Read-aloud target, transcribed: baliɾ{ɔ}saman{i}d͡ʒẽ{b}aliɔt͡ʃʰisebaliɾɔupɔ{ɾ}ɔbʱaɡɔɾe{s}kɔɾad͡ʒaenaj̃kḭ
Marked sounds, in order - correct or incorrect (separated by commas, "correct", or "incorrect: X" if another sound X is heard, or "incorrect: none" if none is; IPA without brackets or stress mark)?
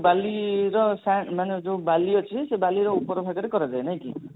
correct, incorrect: e, correct, correct, incorrect: none